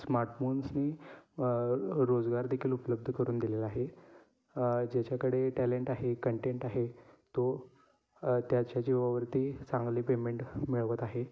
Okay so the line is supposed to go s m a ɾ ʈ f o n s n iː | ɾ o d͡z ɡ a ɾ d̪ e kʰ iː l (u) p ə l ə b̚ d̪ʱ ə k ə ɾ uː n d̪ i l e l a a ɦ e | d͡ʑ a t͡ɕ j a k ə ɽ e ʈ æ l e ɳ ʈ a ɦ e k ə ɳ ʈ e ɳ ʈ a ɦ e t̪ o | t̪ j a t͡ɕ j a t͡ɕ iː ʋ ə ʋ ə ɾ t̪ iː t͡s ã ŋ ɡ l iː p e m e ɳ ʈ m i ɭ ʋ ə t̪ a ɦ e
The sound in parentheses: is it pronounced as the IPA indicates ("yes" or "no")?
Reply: yes